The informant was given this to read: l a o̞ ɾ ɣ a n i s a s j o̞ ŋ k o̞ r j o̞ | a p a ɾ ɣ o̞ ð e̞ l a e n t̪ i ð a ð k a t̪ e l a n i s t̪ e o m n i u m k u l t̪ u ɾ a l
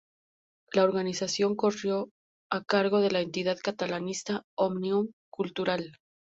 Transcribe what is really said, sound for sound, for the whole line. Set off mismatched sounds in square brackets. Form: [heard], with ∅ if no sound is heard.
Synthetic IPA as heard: l a o̞ ɾ ɣ a n i s a s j o̞ ŋ k o̞ r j o̞ | a [k] a ɾ ɣ o̞ ð e̞ l a e n t̪ i ð a ð k a t̪ [a] l a n i s t̪ [a] o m n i u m k u l t̪ u ɾ a l